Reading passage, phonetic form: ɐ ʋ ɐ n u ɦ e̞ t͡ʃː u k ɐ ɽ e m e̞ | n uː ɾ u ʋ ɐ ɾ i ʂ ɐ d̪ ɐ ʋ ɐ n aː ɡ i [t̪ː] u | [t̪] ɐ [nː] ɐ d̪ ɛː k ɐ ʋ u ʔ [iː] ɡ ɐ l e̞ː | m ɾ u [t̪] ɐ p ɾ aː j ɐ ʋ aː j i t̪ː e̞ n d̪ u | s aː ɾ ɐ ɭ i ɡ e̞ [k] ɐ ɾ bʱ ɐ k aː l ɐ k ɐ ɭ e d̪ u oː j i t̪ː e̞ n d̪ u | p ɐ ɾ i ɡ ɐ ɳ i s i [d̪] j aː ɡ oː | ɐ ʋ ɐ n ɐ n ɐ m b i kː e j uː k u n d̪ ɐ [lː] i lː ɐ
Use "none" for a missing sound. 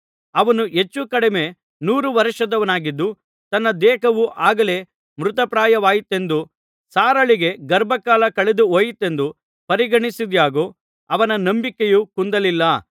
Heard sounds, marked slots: d̪ː, t̪, nː, aː, t̪, ɡ, d̪, l

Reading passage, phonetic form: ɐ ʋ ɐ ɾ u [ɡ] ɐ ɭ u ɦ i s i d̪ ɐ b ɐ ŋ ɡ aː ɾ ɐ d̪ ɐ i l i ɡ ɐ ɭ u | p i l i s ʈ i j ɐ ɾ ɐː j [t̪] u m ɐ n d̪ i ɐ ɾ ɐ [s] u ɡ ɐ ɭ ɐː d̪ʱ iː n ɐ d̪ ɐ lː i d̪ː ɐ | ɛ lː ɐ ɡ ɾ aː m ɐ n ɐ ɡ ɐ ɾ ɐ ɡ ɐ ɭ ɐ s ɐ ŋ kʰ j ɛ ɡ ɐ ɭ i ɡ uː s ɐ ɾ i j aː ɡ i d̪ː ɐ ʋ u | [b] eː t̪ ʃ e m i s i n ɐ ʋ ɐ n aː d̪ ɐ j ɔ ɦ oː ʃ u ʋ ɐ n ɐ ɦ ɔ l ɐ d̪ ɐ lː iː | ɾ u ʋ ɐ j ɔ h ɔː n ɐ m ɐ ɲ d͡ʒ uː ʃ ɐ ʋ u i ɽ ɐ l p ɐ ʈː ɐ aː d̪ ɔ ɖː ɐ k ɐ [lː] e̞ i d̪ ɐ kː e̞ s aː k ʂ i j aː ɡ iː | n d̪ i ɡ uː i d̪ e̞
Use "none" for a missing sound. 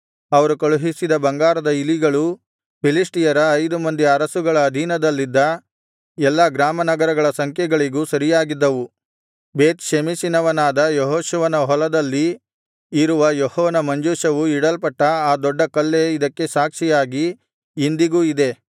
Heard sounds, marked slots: k, d̪, s, b, lː

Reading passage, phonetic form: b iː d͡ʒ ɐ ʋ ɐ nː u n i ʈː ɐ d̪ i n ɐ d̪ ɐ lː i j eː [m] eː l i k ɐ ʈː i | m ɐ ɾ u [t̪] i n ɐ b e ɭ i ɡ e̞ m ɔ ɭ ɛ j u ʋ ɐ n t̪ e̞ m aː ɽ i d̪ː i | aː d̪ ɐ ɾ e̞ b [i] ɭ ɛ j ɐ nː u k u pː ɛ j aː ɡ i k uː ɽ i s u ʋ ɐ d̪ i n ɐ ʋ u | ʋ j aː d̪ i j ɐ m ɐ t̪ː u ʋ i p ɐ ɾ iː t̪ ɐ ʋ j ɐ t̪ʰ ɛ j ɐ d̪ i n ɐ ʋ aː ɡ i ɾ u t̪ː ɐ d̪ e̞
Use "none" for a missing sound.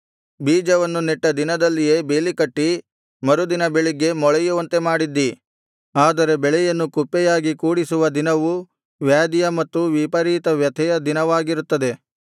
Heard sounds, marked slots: b, d̪, ɛ

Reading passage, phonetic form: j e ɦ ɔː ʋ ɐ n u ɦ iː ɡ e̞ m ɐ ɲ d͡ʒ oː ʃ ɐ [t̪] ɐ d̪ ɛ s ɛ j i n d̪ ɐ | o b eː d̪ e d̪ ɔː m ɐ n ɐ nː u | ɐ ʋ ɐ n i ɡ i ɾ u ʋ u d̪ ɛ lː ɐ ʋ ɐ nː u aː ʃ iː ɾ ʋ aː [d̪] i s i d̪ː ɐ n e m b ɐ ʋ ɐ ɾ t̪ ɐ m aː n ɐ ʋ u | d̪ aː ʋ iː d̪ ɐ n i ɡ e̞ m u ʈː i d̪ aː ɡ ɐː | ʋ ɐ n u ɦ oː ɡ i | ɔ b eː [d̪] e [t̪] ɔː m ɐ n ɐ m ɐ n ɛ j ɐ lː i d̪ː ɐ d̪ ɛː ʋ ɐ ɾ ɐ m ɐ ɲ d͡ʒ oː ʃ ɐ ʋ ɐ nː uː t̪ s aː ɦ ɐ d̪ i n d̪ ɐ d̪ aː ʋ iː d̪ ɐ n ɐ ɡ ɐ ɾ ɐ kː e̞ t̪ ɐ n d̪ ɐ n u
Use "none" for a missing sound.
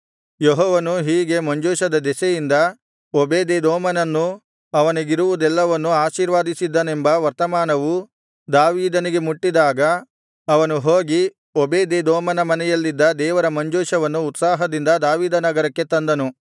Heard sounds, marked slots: d̪, d̪, d̪, d̪

